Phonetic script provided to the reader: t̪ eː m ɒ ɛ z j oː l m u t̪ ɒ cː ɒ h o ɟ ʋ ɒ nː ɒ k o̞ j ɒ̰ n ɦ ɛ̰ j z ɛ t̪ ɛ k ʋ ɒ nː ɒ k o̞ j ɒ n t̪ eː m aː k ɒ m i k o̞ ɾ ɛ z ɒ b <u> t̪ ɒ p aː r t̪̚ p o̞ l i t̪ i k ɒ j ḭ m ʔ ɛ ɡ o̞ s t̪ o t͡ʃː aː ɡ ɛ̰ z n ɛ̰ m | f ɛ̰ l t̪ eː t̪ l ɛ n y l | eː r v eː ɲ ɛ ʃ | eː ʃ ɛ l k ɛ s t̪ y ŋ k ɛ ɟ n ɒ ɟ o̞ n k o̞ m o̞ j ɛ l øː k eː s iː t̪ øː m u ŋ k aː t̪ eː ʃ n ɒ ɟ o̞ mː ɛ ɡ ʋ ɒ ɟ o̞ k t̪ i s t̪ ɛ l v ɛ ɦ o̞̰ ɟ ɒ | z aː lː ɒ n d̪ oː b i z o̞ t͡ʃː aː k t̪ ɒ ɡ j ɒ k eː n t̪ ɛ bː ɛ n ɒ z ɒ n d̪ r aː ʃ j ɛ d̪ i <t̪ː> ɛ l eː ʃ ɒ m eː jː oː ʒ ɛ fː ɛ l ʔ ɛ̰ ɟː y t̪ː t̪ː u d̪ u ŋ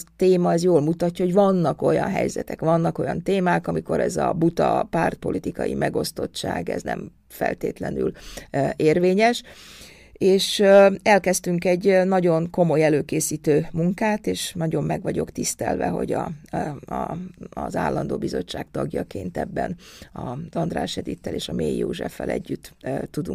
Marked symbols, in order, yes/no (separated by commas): yes, yes